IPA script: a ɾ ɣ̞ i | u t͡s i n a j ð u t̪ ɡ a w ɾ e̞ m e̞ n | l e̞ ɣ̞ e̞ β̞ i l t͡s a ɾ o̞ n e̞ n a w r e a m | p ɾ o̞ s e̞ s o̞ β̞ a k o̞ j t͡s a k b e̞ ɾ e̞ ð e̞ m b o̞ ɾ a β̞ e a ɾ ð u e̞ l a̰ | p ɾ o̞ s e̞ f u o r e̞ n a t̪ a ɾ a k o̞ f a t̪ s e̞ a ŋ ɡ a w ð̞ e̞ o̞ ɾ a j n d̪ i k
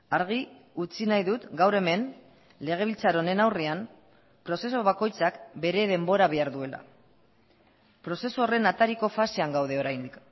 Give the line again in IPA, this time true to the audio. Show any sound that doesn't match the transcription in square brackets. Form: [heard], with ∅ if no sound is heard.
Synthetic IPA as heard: a ɾ ɣ̞ i | u t͡s i n a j ð u t̪ ɡ a w ɾ e̞ m e̞ n | l e̞ ɣ̞ e̞ β̞ i l t͡s a ɾ o̞ n e̞ n a w r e a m | p ɾ o̞ s e̞ s o̞ β̞ a k o̞ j t͡s a k b e̞ ɾ e̞ ð e̞ m b o̞ ɾ a β̞ e a ɾ ð u e̞ l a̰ | p ɾ o̞ s e̞ [s] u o r e̞ n a t̪ a ɾ [i] k o̞ f a [∅] s e̞ a ŋ ɡ a w ð̞ e̞ o̞ ɾ a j n d̪ i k